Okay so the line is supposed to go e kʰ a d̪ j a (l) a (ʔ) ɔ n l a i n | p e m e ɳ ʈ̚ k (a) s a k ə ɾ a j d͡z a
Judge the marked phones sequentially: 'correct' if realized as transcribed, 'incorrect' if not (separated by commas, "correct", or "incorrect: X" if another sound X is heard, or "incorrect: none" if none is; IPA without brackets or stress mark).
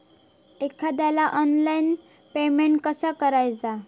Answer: correct, correct, incorrect: ə